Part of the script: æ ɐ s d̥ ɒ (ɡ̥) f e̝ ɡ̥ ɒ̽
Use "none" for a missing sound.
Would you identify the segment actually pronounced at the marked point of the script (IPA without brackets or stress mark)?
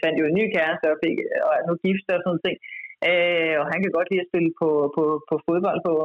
none